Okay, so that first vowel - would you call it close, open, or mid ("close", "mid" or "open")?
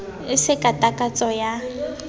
close